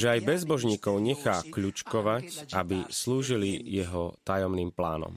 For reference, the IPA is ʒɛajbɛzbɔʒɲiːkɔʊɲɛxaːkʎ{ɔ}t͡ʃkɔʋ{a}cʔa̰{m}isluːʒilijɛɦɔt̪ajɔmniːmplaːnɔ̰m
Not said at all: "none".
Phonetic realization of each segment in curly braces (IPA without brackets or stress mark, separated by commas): u, a, b